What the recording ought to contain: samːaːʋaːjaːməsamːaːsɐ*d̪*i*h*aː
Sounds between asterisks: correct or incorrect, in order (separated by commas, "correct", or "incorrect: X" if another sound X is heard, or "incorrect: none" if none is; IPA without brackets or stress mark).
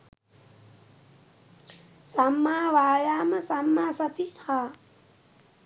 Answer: incorrect: t̪, correct